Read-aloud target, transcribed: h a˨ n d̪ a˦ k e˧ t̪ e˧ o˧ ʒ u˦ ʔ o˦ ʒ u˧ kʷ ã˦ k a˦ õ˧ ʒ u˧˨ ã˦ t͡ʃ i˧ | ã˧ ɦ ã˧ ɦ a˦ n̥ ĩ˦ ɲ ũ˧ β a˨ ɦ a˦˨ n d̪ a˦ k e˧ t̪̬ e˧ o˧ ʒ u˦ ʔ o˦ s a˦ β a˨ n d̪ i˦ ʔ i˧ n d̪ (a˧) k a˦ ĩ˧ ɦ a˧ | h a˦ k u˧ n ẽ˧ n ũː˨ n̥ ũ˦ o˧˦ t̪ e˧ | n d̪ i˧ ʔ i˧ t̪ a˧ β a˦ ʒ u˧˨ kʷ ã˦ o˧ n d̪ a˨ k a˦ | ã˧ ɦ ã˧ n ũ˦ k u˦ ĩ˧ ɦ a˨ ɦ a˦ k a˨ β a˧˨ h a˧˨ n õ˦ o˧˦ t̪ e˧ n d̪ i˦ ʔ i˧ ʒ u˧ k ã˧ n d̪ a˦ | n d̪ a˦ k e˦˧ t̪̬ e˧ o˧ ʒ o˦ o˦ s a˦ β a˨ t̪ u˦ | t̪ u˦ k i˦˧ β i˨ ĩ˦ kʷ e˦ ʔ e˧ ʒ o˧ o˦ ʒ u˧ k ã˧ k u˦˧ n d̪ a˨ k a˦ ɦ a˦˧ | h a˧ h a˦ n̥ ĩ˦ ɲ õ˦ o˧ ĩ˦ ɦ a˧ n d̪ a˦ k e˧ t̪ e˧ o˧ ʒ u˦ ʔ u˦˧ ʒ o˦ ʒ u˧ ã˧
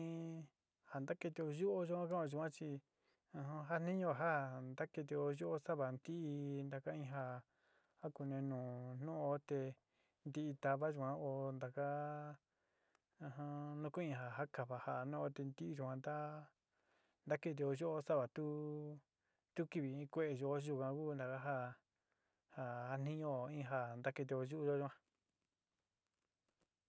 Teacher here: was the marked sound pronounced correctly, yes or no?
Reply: yes